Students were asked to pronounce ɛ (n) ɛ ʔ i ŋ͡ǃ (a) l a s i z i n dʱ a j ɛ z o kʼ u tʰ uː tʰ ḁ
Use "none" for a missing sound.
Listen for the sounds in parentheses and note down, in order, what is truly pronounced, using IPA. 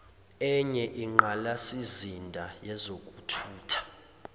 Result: ɲ, a

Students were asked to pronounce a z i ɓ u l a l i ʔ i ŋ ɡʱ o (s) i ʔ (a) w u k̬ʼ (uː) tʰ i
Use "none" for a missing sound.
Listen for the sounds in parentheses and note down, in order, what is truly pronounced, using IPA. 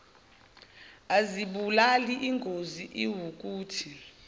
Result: z, i, uː

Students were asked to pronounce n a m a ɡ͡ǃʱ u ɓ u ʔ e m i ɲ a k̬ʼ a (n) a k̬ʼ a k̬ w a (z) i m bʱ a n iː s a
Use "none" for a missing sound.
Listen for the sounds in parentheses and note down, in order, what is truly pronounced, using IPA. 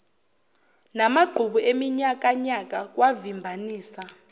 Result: ɲ, v

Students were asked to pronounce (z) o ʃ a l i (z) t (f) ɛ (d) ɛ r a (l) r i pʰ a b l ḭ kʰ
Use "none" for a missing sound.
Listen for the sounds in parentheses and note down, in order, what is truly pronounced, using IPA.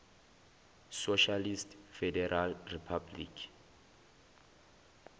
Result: s, s, f, d, l

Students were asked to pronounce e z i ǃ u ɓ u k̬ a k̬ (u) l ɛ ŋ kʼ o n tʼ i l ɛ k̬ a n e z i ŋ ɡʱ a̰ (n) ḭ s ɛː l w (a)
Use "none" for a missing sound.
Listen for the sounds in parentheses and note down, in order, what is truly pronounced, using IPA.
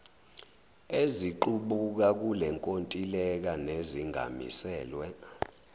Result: u, m, ɛ

